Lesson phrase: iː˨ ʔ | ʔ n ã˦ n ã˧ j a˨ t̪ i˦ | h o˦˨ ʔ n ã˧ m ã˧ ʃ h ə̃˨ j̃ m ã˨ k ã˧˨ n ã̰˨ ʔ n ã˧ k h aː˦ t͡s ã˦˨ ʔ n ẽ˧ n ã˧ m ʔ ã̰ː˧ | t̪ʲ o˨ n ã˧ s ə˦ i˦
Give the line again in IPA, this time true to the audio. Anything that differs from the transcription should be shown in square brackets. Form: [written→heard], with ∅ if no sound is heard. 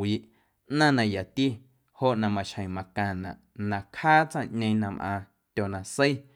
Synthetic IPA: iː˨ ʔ | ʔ n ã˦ n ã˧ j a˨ t̪ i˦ | h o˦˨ ʔ n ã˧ m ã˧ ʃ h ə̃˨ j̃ m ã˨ k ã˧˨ n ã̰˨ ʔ n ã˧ k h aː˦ t͡s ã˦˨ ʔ [n→ɲ] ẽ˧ n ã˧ m ʔ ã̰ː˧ | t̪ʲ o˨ n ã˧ s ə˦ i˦